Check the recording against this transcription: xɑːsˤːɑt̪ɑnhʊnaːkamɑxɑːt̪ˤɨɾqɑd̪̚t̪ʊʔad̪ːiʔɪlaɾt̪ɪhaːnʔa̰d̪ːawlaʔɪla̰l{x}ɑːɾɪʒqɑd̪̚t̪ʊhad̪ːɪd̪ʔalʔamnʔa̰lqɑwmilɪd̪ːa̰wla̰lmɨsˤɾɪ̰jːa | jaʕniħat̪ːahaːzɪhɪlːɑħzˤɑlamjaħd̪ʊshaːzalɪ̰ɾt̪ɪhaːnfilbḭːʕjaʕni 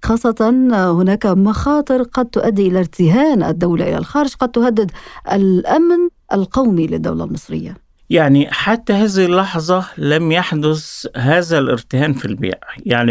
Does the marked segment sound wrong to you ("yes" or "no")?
no